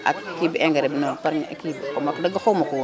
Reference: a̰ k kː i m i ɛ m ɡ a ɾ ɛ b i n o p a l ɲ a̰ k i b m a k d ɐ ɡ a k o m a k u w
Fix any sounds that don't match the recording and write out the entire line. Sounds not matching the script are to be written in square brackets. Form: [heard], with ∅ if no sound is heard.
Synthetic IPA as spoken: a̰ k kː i [b] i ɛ [ŋ] ɡ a ɾ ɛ b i n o p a [ɾ] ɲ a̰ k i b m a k d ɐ ɡ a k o m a k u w